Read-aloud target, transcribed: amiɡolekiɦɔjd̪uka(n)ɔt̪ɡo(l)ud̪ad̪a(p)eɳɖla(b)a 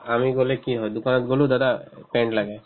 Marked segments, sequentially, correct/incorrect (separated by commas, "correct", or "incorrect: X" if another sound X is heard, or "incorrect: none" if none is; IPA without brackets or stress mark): correct, correct, correct, incorrect: ɡ